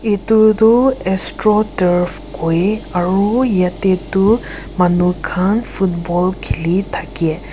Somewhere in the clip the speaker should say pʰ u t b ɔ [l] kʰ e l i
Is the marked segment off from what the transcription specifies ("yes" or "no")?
no